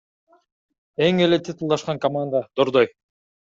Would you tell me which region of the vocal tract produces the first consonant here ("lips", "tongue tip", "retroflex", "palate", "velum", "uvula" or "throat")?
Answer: velum